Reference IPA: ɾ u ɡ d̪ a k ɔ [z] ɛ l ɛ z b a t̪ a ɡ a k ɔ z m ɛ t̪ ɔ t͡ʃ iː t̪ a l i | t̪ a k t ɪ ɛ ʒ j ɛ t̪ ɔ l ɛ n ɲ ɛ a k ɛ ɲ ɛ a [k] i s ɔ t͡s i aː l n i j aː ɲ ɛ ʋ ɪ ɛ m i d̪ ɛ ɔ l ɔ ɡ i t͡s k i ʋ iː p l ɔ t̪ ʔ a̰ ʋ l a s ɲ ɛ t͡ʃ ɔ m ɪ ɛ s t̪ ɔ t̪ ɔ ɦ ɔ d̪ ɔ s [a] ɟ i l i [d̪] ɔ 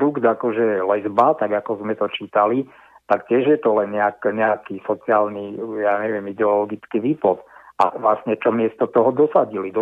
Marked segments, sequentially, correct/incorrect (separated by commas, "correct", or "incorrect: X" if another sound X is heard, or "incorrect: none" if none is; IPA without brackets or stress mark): incorrect: ʒ, correct, correct, correct